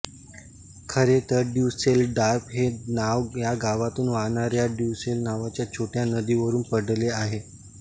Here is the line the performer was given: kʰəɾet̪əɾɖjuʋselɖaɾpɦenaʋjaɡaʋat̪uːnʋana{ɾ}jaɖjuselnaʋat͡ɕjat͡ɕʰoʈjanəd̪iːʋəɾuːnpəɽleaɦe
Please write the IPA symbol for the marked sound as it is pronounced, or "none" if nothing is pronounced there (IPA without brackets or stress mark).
ɾ